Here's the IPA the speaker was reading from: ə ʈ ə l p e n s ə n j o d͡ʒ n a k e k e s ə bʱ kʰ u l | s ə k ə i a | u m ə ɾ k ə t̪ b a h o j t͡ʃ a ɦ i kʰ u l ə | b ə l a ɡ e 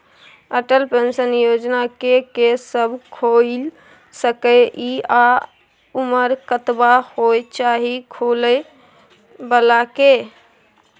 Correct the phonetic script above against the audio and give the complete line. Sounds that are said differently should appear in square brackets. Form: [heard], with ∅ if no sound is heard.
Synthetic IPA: ə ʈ ə l p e n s ə n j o d͡ʒ n a k e k e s ə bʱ kʰ [o] l | s ə k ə i a | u m ə ɾ k ə t̪ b a h o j t͡ʃ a ɦ i kʰ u l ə | b ə l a [k] e